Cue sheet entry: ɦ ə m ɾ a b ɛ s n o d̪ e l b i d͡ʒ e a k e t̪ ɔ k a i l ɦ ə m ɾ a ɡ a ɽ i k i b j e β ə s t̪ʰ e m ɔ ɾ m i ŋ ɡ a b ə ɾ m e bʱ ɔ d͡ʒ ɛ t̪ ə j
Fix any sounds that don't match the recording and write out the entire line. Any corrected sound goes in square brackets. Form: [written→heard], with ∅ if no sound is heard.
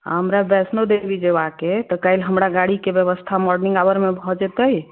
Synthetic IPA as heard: ɦ ə m ɾ a b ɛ s n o d̪ e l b i d͡ʒ e a k e t̪ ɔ k a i l ɦ ə m ɾ a ɡ a ɽ i k [i→e] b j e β ə s t̪ʰ [e→a] m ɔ ɾ [m→n] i ŋ ɡ a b ə ɾ m e bʱ ɔ d͡ʒ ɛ t̪ ə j